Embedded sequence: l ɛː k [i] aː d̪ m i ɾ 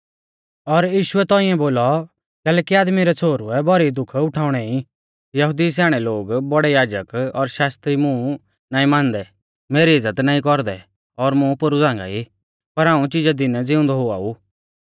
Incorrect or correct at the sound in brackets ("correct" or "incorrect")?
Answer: correct